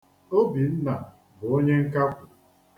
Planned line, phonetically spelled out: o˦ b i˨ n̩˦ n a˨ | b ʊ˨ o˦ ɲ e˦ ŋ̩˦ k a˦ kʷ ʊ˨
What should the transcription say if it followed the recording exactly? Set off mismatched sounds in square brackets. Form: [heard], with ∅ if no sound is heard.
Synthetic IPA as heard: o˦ b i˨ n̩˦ n a˨ | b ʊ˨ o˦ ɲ e˦ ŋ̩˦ k a˦ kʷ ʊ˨